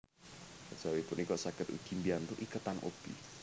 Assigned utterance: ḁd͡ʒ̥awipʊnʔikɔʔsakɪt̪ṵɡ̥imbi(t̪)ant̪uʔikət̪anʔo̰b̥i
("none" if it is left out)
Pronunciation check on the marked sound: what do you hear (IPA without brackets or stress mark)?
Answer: none